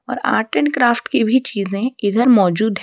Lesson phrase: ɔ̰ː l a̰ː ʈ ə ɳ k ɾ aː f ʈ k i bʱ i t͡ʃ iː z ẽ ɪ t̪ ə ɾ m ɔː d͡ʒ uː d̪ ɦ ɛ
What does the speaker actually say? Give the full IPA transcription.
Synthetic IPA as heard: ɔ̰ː ɾ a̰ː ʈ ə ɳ k ɾ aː f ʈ k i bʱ i t͡ʃ iː z ẽ ɪ d̪ ə ɾ m ɔː d͡ʒ uː d̪ ɦ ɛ